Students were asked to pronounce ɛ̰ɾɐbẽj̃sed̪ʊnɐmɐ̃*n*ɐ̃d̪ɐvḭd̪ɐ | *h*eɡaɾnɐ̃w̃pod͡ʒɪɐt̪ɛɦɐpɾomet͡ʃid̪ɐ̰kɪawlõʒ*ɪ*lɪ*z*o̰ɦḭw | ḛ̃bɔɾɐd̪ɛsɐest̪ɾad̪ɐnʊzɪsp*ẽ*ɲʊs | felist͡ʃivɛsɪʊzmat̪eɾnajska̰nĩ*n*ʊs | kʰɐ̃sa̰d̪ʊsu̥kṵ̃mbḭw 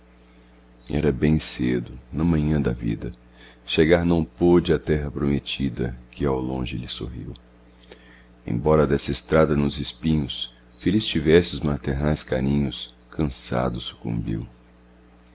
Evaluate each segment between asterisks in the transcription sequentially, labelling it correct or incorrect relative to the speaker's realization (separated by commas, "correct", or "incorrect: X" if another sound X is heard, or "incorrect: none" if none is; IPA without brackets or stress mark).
incorrect: ɲ, incorrect: ʃ, correct, incorrect: s, incorrect: ĩ, incorrect: ɲ